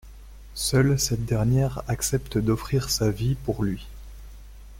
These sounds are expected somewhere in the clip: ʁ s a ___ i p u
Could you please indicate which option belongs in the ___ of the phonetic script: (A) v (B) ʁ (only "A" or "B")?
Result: A